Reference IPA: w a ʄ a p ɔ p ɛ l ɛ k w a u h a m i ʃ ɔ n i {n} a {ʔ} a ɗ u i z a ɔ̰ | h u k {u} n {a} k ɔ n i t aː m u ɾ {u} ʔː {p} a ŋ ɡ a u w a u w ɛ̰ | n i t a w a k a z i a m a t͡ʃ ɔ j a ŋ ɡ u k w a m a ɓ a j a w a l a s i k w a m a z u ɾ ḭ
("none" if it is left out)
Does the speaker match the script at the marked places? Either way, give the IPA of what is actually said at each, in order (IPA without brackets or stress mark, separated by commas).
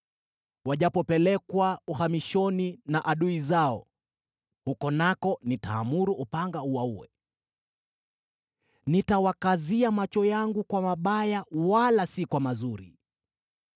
n, ʔ, ɔ, a, u, p